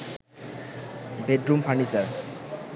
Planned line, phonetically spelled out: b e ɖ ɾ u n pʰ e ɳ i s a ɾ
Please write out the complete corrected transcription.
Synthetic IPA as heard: b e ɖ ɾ u m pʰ a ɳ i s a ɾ